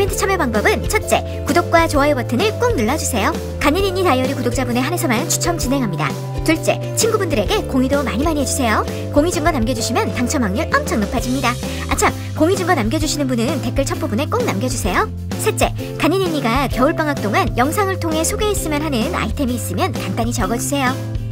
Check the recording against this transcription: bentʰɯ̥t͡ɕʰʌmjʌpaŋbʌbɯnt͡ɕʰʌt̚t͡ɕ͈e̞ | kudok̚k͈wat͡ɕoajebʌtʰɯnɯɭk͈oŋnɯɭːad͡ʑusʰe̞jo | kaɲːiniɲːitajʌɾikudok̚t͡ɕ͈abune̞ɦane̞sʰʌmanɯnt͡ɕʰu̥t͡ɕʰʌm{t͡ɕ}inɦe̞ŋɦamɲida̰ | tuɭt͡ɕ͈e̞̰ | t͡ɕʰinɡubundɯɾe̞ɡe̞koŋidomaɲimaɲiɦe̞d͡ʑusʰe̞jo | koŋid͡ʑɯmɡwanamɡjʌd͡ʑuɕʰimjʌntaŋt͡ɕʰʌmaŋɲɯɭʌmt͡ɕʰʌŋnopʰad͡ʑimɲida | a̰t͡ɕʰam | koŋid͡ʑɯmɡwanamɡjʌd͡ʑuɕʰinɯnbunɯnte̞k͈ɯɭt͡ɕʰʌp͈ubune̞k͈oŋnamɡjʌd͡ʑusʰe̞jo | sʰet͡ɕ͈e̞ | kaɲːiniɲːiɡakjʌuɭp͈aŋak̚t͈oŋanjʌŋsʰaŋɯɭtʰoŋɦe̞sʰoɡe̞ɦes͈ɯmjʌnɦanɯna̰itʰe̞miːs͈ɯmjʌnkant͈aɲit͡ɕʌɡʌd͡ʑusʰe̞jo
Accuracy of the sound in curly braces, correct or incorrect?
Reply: correct